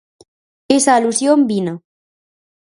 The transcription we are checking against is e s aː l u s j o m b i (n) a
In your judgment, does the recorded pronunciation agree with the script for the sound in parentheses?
yes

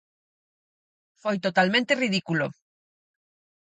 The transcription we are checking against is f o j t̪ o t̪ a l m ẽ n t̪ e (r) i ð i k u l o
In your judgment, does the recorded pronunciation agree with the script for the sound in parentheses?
yes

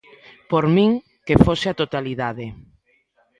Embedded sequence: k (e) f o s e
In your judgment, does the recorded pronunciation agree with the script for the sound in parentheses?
yes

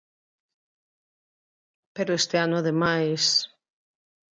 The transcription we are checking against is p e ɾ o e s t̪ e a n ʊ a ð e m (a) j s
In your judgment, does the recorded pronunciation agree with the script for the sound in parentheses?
yes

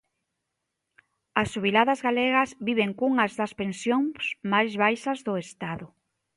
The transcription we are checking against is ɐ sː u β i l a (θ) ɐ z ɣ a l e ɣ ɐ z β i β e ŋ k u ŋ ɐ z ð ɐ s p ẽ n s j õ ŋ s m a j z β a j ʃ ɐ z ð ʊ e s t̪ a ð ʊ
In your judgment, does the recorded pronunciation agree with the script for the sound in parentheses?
no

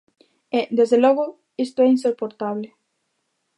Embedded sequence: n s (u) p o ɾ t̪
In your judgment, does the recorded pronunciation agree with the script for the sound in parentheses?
no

